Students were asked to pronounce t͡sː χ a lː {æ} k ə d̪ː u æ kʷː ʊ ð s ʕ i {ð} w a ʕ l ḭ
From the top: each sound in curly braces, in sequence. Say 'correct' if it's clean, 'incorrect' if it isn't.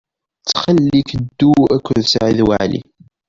incorrect, correct

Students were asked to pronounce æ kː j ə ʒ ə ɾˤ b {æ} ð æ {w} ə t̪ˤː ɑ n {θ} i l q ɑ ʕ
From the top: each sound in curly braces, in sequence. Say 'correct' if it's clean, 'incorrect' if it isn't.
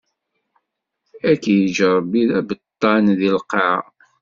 incorrect, incorrect, incorrect

